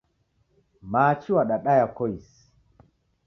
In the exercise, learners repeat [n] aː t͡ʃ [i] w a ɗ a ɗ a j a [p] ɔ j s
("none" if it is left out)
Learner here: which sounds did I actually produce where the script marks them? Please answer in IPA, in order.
m, i, k

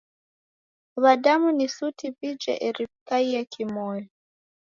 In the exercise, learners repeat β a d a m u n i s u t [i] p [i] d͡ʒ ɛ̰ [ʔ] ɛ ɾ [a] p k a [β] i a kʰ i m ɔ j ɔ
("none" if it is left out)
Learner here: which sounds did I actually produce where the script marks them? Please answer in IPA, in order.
i, i, ʔ, i, none

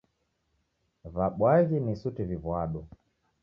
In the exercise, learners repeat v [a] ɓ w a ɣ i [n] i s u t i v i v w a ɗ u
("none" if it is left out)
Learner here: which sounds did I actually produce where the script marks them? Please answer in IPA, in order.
a, n

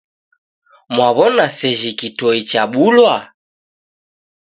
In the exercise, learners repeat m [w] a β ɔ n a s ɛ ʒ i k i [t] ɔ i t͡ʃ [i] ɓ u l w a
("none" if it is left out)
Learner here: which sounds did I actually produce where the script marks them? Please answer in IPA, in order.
w, t, a

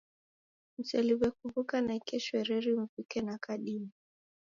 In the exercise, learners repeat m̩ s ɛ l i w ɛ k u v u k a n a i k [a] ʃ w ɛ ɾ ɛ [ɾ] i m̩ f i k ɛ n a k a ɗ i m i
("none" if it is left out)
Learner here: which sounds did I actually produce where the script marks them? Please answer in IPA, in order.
ɛ, ɾ

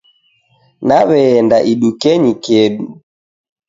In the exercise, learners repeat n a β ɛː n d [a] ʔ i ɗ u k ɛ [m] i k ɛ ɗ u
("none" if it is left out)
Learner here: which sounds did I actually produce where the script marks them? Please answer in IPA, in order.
a, ɲ

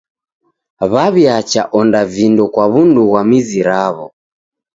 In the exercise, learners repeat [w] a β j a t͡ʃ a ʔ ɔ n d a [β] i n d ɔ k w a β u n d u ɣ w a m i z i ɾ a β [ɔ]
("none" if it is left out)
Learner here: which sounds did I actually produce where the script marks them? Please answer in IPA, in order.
β, v, ɔ

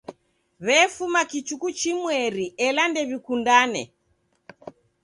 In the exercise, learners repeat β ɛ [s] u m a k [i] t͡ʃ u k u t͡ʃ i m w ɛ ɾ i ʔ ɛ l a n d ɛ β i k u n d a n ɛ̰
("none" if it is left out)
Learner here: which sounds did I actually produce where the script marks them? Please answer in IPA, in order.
f, i

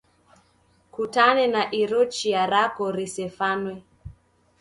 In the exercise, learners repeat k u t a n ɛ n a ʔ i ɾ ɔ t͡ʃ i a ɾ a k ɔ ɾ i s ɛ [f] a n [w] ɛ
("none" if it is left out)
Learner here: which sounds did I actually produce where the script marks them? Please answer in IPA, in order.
f, w

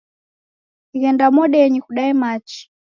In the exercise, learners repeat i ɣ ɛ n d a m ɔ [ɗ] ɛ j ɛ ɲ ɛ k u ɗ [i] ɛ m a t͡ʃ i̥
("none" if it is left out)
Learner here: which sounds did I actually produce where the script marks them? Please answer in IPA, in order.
ɗ, a

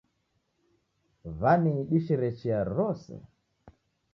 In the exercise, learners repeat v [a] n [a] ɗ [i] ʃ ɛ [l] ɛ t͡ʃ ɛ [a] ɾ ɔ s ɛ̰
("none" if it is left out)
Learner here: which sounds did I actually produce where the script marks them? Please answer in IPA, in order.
a, i, i, ɾ, a

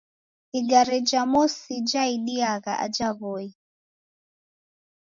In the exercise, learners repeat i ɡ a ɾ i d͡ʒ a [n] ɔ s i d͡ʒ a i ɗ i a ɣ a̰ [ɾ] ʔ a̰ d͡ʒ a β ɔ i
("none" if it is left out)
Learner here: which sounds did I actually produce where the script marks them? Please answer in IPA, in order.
m, none

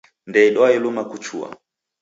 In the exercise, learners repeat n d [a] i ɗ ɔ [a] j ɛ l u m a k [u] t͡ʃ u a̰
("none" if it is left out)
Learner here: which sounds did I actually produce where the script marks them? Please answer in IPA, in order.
ɛ, a, u

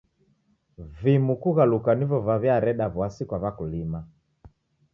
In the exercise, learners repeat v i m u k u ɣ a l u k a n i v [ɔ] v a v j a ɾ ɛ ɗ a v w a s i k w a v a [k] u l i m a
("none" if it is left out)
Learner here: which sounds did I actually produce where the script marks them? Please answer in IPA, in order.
ɔ, k

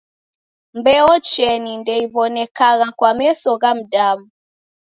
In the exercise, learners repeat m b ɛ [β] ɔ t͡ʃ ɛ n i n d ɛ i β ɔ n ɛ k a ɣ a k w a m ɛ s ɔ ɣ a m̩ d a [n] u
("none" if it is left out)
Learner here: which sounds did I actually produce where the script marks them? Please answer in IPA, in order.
none, m

